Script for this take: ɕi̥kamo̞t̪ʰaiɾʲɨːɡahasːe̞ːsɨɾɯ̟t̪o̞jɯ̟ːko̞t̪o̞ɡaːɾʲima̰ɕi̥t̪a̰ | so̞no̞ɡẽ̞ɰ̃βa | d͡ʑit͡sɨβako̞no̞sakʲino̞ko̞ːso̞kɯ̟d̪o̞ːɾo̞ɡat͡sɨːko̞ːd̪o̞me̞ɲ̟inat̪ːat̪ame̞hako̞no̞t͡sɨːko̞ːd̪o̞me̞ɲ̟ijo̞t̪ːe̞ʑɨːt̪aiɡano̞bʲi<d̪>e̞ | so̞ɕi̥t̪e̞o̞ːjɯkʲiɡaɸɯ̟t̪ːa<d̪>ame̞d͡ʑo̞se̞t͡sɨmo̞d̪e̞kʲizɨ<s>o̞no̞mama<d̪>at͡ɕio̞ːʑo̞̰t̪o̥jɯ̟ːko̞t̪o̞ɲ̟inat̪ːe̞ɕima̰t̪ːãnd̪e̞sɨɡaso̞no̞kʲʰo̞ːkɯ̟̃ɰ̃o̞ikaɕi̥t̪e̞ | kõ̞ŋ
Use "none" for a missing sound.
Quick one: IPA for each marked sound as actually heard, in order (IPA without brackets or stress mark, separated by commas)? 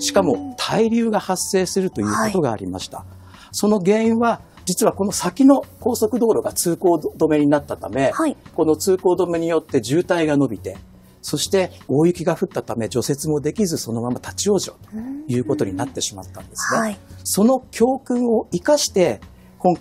t̪, t̪, s, t̪